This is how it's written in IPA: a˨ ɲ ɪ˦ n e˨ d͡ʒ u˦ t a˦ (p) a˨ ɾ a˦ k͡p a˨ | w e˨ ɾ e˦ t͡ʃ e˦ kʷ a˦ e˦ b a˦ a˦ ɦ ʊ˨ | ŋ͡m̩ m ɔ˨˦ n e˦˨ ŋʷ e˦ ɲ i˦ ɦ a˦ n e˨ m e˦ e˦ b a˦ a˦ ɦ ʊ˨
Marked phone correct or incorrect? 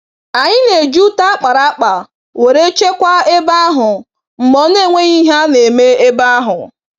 incorrect